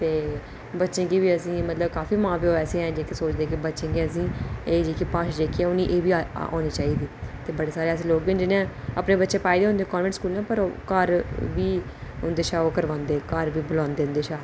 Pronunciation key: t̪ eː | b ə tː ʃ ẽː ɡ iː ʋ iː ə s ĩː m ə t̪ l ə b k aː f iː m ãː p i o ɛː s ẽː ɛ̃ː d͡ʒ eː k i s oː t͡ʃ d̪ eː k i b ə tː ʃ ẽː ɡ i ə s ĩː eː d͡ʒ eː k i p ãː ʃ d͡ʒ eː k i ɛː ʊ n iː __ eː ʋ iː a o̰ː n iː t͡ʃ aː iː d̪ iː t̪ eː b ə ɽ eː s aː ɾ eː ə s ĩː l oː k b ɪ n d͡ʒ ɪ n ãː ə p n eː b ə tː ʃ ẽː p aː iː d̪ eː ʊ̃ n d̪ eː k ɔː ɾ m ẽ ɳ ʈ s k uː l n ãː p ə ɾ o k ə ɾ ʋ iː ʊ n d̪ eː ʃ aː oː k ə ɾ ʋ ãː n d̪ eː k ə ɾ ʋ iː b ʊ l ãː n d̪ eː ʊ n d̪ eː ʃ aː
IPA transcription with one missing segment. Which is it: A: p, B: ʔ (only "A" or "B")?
B